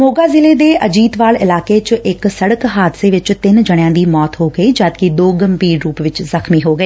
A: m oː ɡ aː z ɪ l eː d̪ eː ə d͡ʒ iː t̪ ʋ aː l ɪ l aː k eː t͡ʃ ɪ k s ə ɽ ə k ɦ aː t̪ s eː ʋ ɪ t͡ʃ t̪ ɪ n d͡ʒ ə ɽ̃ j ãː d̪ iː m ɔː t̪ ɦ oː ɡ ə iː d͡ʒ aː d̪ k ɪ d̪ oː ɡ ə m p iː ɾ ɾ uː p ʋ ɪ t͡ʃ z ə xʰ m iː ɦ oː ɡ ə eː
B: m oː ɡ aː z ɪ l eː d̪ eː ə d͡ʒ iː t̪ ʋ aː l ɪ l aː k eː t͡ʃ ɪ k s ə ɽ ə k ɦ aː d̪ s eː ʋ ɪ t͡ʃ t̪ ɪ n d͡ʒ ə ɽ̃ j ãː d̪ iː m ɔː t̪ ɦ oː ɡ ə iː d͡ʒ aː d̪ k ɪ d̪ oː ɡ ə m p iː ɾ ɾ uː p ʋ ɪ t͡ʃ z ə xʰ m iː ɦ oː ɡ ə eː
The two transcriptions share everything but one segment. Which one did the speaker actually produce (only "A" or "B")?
B